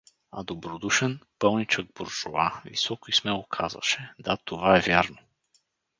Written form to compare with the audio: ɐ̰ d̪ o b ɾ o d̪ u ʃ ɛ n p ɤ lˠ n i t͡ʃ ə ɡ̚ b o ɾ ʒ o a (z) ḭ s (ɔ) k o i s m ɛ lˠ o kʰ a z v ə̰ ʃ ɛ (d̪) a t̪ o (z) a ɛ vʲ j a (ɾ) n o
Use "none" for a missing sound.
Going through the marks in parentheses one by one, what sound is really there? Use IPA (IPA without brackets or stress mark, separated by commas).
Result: v, ɔ, d̪, v, ɾ